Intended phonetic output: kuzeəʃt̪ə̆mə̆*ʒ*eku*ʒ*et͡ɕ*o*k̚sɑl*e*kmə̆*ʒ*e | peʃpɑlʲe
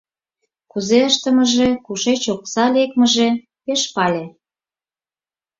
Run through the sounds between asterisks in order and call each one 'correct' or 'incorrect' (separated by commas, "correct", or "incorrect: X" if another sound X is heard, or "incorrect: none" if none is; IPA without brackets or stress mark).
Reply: correct, incorrect: ʃ, correct, correct, correct